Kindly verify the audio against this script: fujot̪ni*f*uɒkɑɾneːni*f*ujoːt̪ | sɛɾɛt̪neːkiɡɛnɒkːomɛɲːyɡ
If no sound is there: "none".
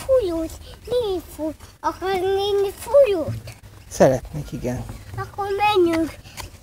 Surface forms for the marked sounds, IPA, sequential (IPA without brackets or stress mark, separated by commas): f, f